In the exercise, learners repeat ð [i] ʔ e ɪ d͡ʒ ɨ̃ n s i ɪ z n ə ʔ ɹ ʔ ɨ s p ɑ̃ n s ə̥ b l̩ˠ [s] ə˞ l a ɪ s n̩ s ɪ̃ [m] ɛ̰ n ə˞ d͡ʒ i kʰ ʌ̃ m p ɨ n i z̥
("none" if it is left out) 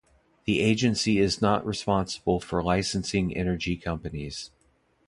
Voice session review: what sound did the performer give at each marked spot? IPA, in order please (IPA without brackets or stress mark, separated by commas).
i, f, ŋ